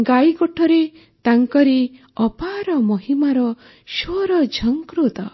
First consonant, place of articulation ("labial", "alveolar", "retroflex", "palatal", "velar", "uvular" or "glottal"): velar